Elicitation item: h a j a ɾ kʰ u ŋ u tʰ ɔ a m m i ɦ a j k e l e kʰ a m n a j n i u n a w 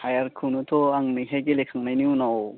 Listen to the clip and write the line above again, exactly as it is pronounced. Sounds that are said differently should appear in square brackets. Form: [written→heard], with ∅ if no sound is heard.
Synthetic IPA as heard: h a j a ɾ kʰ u [ŋ→n] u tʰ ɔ a [m→ŋ] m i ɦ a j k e l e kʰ a [m→ŋ] n a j n i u n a w